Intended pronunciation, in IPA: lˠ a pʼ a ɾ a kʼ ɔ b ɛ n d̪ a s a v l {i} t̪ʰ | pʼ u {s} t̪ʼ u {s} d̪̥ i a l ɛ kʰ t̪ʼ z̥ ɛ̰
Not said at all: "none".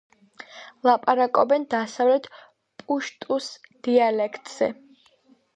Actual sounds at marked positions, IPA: ɛ, ʃ, s

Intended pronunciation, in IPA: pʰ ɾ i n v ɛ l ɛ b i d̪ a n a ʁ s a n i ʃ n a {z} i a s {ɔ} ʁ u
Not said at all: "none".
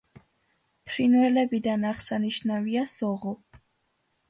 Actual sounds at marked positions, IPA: v, ɔ

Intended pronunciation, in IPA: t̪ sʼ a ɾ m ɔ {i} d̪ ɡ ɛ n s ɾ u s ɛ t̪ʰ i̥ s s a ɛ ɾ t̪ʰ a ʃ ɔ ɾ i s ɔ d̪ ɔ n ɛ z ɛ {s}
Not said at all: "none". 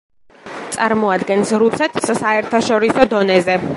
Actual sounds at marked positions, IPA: a, none

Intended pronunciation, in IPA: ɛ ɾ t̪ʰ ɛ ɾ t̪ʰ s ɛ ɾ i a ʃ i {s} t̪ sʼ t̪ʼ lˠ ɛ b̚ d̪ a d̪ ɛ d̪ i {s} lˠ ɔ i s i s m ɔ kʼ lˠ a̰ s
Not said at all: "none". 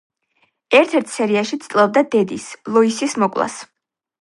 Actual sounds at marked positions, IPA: none, s

